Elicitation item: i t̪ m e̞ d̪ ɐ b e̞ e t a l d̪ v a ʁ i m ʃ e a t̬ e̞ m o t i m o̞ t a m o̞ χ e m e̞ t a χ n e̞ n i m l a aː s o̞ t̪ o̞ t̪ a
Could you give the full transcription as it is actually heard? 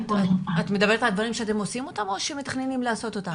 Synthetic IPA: a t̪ m e̞ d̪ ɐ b e̞ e t a l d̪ v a ʁ i m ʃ e a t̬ e̞ m o s i m o̞ t a m o̞ ʃ e m e̞ t a χ n e̞ n i m l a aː s o̞ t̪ o̞ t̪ a